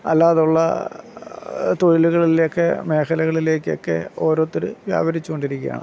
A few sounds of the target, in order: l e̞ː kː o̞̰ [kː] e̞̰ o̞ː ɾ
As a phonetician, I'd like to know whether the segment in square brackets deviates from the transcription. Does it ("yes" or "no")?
no